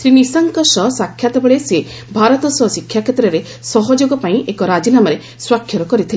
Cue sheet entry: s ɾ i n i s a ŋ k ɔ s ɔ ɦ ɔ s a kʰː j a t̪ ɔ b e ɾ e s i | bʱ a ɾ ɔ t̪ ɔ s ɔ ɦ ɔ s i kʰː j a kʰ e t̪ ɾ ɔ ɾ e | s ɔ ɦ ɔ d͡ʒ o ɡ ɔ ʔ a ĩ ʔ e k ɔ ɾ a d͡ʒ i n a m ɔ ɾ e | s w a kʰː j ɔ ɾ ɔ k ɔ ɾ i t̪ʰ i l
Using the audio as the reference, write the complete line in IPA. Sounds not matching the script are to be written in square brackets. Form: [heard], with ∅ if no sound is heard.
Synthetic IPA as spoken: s ɾ i n i s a ŋ k ɔ s ɔ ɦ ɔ s a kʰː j a t̪ ɔ b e [ɭ] e s [e] | bʱ a ɾ ɔ t̪ ɔ s ɔ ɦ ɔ s i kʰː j a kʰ e t̪ ɾ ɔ ɾ e | s ɔ ɦ ɔ d͡ʒ o ɡ ɔ [p] a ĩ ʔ e k ɔ ɾ a d͡ʒ i n a m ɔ ɾ e | s w a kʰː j ɔ ɾ ɔ k ɔ ɾ i t̪ʰ i l

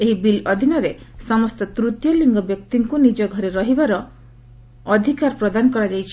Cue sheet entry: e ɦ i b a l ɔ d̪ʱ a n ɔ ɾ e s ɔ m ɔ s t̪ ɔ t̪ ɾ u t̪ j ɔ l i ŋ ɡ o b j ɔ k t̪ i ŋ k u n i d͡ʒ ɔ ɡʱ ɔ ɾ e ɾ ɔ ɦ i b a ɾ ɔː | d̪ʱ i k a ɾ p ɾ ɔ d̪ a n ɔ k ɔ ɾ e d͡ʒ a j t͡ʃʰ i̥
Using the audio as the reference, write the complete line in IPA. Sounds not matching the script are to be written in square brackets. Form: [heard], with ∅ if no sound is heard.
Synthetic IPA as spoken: e ɦ i b [i] l ɔ d̪ʱ [i] n ɔ ɾ e s ɔ m ɔ s t̪ ɔ t̪ ɾ u t̪ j ɔ l i ŋ ɡ [ɔ] b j ɔ k t̪ i ŋ k u n i d͡ʒ ɔ ɡʱ ɔ ɾ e ɾ ɔ ɦ i b a ɾ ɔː | d̪ʱ i k a ɾ p ɾ ɔ d̪ a n ɔ k ɔ ɾ [a] d͡ʒ a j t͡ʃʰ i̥

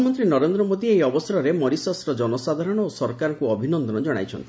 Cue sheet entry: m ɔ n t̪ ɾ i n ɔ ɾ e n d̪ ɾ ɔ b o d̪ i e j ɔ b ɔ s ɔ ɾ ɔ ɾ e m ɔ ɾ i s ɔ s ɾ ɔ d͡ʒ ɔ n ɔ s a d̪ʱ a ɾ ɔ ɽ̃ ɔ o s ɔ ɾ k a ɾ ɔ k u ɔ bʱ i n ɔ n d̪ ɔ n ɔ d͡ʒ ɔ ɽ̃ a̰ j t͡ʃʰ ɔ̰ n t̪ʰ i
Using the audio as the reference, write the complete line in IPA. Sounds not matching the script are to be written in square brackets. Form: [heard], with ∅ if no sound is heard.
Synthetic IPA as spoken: m ɔ n t̪ ɾ i n ɔ ɾ e n d̪ ɾ ɔ [m] o d̪ i e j ɔ b ɔ s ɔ ɾ ɔ ɾ e m ɔ ɾ i s ɔ s ɾ ɔ d͡ʒ ɔ n ɔ s a d̪ʱ a ɾ ɔ ɽ̃ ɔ o s ɔ ɾ k a ɾ ɔ k u ɔ bʱ i n ɔ n d̪ ɔ n ɔ d͡ʒ ɔ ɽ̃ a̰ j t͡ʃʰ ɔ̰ n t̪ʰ i

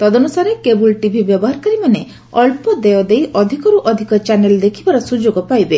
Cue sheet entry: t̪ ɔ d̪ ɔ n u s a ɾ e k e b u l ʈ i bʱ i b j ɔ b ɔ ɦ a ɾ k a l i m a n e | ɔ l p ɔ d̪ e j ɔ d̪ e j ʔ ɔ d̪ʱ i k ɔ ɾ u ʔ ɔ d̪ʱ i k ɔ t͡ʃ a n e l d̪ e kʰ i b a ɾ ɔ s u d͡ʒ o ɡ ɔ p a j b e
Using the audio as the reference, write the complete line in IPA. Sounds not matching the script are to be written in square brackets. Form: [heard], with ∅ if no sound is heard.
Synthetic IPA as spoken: t̪ ɔ d̪ ɔ n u s a ɾ e k e b u l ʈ i bʱ i b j ɔ b ɔ ɦ a ɾ k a [ɾ] i m a n e | ɔ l p ɔ d̪ e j ɔ d̪ e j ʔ ɔ d̪ʱ i k ɔ ɾ u ʔ ɔ d̪ʱ i k ɔ t͡ʃ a n e l d̪ e kʰ i b a ɾ ɔ s u d͡ʒ o ɡ ɔ p a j b e

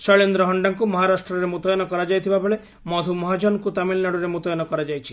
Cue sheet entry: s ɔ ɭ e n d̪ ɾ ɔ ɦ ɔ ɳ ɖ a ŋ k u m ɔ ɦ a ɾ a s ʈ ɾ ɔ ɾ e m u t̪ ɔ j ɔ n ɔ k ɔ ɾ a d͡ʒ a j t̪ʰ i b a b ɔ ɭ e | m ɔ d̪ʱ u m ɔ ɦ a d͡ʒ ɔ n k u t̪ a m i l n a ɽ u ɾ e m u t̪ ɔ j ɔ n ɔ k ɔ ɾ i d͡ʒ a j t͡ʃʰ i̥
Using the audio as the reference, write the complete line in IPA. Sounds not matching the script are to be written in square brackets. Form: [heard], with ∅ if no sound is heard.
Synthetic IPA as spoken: s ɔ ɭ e n d̪ ɾ ɔ ɦ ɔ ɳ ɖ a ŋ k u m ɔ ɦ a ɾ a s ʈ ɾ ɔ ɾ e m u t̪ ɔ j ɔ n ɔ k ɔ ɾ a d͡ʒ a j t̪ʰ i b a b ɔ ɭ e | m ɔ d̪ʱ u m ɔ ɦ a d͡ʒ ɔ n k u t̪ a m i l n a ɽ u ɾ e m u t̪ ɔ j ɔ n ɔ k ɔ ɾ [a] d͡ʒ a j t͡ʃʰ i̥

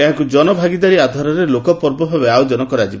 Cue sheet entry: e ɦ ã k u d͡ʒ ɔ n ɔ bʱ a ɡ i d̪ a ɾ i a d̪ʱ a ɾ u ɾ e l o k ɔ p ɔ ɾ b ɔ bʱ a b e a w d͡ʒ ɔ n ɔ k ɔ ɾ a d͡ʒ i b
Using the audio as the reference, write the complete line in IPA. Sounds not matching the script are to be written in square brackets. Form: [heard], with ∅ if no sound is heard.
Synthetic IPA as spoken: e ɦ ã k u d͡ʒ ɔ n ɔ bʱ a ɡ i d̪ a ɾ i a d̪ʱ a ɾ [ɔ] ɾ e l o k ɔ p ɔ ɾ b ɔ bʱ a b e a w d͡ʒ ɔ n ɔ k ɔ ɾ a d͡ʒ i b

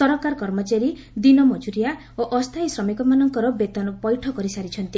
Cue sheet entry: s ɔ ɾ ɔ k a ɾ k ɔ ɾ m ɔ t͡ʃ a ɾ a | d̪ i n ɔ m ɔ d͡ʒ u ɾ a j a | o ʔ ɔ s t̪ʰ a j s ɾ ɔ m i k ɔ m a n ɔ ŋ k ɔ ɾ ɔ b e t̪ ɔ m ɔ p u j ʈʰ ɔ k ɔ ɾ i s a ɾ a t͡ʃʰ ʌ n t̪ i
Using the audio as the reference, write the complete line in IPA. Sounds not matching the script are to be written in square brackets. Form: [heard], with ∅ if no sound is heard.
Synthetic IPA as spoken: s ɔ ɾ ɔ k a ɾ k ɔ ɾ m ɔ t͡ʃ a ɾ [i] | d̪ i n ɔ m ɔ d͡ʒ u ɾ [i] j a | o ʔ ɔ s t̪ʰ a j s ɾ ɔ m i k ɔ m a n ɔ ŋ k ɔ ɾ ɔ b e t̪ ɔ [n] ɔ p [ɔ] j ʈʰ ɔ k ɔ ɾ i s a ɾ [i] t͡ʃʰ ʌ n t̪ i

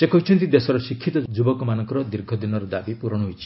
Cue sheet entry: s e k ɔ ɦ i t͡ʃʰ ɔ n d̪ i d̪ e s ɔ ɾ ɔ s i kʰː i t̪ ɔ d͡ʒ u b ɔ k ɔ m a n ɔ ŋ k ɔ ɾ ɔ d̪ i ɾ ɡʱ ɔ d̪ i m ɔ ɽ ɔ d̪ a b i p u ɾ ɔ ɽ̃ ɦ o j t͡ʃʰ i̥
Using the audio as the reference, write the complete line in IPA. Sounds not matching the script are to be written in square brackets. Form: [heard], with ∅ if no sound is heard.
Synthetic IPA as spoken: s e k ɔ ɦ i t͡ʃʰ ɔ n [t̪] i d̪ e s ɔ ɾ ɔ s i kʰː i t̪ ɔ d͡ʒ u b ɔ k ɔ m a n ɔ ŋ k ɔ ɾ ɔ d̪ i ɾ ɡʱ ɔ d̪ i [n] ɔ [ɾ] ɔ d̪ a b i p u ɾ ɔ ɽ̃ ɦ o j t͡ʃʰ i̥

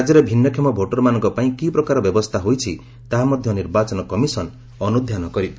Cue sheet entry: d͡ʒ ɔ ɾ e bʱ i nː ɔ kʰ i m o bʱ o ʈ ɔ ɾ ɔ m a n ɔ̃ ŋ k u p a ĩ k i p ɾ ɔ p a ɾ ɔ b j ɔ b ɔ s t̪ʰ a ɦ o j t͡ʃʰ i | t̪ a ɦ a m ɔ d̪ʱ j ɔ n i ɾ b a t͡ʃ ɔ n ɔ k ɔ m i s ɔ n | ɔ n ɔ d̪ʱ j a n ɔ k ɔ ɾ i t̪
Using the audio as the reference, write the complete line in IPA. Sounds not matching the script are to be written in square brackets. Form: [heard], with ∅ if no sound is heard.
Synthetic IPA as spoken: d͡ʒ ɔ ɾ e bʱ i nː ɔ kʰ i m [ɔ] bʱ o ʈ ɔ ɾ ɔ m a n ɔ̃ ŋ k [ɔ] p a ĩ k i p ɾ ɔ [k] a ɾ ɔ b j ɔ b ɔ s t̪ʰ a ɦ o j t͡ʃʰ i | t̪ a ɦ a m ɔ d̪ʱ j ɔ n i ɾ b a t͡ʃ ɔ n ɔ k ɔ m i s ɔ n | ɔ n [u] d̪ʱ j a n ɔ k ɔ ɾ i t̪

